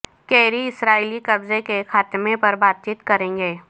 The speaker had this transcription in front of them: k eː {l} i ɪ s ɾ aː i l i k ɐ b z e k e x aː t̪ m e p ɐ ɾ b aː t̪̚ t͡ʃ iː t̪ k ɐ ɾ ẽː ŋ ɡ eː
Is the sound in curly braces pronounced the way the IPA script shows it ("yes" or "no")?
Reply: no